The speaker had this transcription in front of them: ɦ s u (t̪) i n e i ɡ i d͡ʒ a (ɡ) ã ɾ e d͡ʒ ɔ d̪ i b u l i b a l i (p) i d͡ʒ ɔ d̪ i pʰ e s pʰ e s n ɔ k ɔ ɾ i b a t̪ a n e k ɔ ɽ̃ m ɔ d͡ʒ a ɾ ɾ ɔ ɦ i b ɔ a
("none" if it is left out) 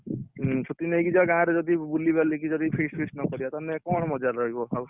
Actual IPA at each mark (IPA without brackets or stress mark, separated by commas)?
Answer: t̪, ɡ, k